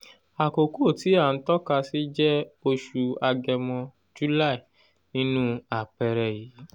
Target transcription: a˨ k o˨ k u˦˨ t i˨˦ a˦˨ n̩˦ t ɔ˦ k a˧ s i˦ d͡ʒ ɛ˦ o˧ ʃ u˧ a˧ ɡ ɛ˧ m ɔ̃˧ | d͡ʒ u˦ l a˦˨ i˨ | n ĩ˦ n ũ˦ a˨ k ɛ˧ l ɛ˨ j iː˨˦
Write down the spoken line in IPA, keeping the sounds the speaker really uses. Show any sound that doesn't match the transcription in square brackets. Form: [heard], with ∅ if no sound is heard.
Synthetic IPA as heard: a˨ k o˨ k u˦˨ t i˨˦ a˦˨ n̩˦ t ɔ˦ k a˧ s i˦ d͡ʒ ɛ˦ o˧ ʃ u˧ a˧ ɡ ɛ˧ m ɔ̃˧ | d͡ʒ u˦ l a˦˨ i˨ | n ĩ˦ n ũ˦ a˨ [k͡p] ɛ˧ [ɾ] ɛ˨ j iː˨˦